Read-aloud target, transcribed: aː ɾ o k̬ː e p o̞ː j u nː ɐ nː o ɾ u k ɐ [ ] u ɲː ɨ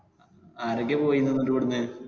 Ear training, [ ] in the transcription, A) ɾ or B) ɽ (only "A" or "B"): B